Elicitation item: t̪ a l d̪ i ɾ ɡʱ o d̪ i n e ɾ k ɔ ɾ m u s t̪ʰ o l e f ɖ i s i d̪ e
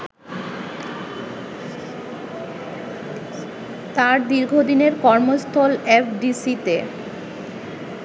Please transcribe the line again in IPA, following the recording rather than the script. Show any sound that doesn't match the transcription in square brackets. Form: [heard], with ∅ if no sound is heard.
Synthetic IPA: t̪ a [ɾ] d̪ i ɾ ɡʱ o d̪ i n e ɾ k ɔ ɾ m [o] s t̪ʰ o l e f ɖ i s i [t̪] e